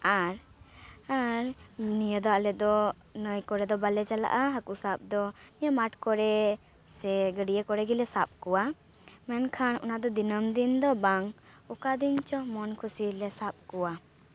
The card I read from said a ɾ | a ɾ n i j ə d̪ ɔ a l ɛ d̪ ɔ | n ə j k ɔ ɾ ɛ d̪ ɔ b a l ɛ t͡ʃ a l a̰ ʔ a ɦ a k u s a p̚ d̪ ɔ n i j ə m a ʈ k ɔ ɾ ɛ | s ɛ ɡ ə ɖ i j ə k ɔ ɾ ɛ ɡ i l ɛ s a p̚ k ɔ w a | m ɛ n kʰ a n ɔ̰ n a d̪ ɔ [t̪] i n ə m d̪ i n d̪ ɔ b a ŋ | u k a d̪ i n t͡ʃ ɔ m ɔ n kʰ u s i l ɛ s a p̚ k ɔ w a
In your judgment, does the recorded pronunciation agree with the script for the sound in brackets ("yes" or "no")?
no